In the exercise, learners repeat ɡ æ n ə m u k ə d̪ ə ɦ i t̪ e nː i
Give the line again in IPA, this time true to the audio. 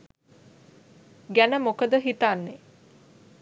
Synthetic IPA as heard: ɡ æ n ə m o k ə d̪ ə ɦ i t̪ a nː e